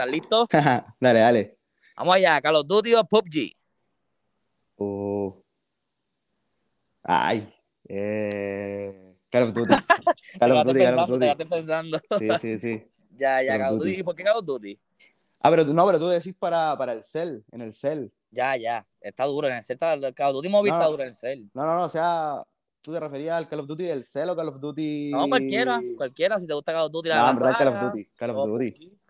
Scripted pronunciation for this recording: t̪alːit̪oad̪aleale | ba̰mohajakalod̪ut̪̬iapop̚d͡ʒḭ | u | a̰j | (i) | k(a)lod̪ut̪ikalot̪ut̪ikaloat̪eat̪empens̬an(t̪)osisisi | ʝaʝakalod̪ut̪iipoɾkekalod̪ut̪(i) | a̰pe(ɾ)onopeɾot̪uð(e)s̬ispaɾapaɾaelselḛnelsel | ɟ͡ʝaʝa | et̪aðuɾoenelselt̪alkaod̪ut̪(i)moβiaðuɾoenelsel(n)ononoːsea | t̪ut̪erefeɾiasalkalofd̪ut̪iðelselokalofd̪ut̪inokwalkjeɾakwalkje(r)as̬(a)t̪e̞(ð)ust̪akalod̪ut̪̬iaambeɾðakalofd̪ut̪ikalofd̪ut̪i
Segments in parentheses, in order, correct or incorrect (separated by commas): incorrect, correct, incorrect, correct, correct, correct, correct, correct, incorrect, incorrect, incorrect